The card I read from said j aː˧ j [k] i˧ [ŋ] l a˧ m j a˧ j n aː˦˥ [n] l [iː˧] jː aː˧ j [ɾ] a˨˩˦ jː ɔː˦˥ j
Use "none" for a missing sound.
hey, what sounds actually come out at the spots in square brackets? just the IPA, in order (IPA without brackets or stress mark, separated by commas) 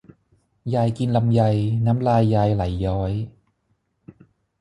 k, n, m, aː˧, l